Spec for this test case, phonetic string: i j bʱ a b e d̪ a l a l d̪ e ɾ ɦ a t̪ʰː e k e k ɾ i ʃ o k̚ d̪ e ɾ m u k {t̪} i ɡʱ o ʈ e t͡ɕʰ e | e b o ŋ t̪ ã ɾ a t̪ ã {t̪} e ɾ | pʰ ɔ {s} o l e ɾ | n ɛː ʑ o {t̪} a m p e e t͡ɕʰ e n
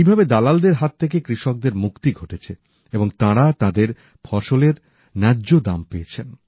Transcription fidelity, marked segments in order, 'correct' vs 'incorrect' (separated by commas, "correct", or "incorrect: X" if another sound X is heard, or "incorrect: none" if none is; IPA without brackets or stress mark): correct, incorrect: d̪, incorrect: ʃ, incorrect: d̪